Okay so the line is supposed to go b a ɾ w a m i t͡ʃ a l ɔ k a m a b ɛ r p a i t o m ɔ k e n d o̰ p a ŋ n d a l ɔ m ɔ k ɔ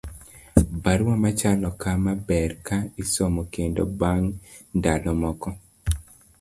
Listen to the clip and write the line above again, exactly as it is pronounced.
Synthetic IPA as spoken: b a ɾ w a m a t͡ʃ a l ɔ k a m a b ɛ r k a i s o m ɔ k e n d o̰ b a ŋ n d a l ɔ m ɔ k ɔ